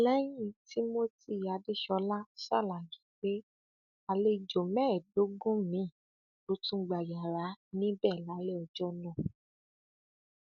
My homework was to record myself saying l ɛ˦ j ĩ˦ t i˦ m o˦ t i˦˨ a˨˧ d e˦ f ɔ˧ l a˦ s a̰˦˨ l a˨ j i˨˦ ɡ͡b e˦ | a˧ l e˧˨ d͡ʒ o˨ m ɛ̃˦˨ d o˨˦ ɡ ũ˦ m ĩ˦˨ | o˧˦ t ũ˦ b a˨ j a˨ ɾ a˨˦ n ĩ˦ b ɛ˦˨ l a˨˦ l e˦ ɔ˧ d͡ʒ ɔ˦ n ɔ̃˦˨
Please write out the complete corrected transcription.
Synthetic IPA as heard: l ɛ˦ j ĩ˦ t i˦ m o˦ t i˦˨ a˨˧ d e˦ ʃ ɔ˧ l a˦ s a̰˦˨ l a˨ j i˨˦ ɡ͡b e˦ | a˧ l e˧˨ d͡ʒ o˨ m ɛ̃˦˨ d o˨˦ ɡ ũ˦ m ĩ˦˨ | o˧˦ t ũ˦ ɡ͡b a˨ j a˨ ɾ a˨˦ n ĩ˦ b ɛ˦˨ l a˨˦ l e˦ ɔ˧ d͡ʒ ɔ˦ n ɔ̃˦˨